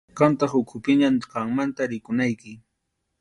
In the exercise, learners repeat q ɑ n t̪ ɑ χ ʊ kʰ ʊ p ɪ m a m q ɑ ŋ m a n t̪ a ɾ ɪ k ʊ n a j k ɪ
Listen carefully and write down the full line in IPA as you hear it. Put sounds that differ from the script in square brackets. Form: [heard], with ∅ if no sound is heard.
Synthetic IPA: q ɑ n t̪ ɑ χ ʊ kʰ ʊ p ɪ [ɲ] a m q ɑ ŋ m a n t̪ a ɾ ɪ k ʊ n a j k ɪ